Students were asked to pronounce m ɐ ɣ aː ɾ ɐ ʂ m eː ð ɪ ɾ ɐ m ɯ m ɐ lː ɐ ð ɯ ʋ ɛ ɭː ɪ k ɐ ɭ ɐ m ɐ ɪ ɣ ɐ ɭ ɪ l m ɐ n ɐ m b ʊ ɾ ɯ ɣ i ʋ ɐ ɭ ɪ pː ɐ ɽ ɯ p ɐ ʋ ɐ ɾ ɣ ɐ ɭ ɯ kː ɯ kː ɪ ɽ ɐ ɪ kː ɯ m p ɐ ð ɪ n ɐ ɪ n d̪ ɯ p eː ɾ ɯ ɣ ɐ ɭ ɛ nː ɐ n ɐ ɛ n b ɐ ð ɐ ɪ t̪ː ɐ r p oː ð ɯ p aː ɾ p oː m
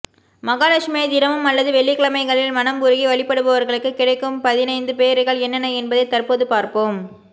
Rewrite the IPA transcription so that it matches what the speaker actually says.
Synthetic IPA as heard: m ɐ ɣ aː l ɐ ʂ m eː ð ɪ ɾ ɐ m ɯ m ɐ lː ɐ ð ɯ ʋ ɛ ɭː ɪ k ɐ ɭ ɐ m ɐ ɪ ɣ ɐ ɭ ɪ l m ɐ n ɐ m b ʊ ɾ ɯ ɣ i ʋ ɐ ɭ ɪ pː ɐ ɽ ɯ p ɐ ʋ ɐ ɾ ɣ ɐ ɭ ɯ kː ɯ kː ɪ ɽ ɐ ɪ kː ɯ m p ɐ ð ɪ n ɐ ɪ n d̪ ɯ p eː ɾ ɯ ɣ ɐ ɭ ɛ nː ɐ n ɐ ɛ n b ɐ ð ɐ ɪ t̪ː ɐ r p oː ð ɯ p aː ɾ p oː m